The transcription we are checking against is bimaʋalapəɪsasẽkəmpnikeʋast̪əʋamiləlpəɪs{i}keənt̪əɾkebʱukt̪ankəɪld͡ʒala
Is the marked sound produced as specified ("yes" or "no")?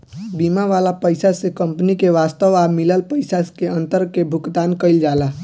no